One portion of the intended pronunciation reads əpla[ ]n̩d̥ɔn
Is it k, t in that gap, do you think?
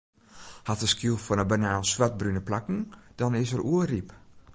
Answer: k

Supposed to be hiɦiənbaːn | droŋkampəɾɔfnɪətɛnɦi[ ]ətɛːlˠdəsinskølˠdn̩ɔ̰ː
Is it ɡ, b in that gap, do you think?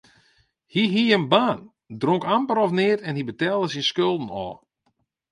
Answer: b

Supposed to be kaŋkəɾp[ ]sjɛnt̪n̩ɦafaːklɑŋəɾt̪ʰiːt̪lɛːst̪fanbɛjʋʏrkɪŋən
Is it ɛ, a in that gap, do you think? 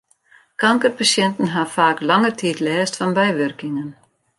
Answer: a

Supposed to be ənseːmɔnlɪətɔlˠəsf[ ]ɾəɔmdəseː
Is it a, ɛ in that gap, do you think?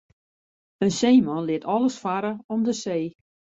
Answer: a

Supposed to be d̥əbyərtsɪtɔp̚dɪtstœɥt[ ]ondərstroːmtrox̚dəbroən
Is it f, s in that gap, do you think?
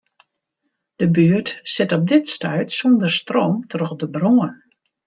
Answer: s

